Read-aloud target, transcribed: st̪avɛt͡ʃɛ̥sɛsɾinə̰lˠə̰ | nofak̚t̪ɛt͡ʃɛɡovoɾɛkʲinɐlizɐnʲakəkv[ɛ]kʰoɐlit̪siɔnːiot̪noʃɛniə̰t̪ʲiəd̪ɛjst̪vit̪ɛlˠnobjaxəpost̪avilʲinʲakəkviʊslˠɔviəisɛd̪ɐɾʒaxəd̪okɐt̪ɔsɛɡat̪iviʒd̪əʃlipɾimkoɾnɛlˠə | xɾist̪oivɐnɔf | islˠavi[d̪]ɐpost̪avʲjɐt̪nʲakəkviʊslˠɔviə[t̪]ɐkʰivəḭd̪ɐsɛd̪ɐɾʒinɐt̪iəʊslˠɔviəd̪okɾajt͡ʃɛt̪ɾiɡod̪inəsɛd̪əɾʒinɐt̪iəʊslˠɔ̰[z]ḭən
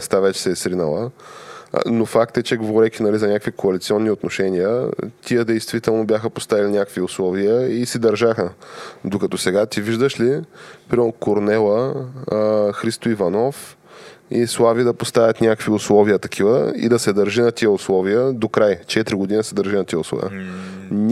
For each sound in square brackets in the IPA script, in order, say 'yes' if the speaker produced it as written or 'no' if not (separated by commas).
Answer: no, yes, yes, no